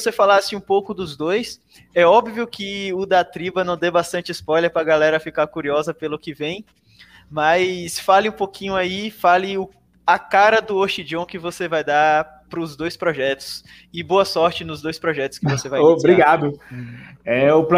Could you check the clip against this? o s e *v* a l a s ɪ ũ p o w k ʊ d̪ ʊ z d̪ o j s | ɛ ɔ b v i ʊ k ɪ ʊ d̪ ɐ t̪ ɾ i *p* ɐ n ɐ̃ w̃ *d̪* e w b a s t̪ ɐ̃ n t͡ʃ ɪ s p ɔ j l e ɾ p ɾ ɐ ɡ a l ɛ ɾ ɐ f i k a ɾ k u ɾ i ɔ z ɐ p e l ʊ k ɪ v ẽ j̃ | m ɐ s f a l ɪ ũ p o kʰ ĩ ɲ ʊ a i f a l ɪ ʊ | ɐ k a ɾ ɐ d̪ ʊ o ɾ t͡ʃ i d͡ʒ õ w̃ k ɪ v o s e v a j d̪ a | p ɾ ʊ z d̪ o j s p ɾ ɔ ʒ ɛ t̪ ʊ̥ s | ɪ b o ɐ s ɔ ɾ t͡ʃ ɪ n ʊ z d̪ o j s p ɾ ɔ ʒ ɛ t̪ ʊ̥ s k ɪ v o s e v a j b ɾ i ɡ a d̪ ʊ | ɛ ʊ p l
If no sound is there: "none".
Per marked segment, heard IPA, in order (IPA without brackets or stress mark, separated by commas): f, b, d̪